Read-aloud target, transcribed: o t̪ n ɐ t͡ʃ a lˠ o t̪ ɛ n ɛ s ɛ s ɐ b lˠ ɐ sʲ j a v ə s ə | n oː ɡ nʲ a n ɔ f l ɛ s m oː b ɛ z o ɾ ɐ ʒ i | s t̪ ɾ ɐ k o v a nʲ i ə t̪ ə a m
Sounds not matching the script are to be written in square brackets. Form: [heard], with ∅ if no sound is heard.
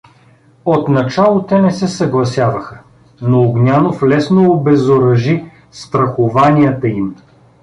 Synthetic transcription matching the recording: o t̪ n ɐ t͡ʃ a lˠ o t̪ ɛ n ɛ s ɛ s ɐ [ɡ] lˠ ɐ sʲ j a v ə [x] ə | n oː ɡ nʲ a n [o] f l ɛ s [n] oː b ɛ z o ɾ ɐ ʒ i | s t̪ ɾ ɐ [x] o v a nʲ i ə t̪ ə [i] m